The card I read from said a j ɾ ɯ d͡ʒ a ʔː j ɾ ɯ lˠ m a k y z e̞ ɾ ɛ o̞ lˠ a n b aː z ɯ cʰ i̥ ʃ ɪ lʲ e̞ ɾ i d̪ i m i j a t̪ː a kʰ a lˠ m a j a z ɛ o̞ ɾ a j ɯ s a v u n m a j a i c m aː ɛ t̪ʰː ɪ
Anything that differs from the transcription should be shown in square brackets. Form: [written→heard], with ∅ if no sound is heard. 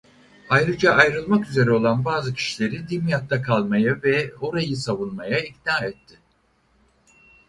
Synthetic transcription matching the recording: a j ɾ ɯ d͡ʒ a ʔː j ɾ ɯ lˠ m a k y z e̞ ɾ ɛ o̞ lˠ a n b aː z ɯ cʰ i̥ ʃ [ɪ→i] lʲ e̞ ɾ i d̪ i m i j a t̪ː a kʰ a lˠ m a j a [z→v] ɛ o̞ ɾ a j ɯ s a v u n m a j a i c [m→n] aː ɛ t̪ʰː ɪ